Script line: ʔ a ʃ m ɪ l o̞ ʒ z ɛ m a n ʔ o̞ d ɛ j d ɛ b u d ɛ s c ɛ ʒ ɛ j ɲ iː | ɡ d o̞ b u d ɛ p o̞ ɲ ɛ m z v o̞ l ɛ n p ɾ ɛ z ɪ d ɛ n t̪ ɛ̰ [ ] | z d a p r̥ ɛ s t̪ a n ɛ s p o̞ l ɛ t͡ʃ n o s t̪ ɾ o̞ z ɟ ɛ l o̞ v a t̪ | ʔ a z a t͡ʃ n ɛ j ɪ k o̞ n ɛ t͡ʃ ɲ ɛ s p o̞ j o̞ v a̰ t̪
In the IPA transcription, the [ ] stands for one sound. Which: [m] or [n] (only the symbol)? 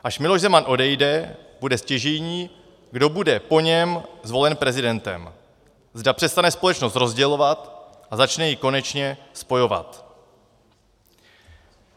m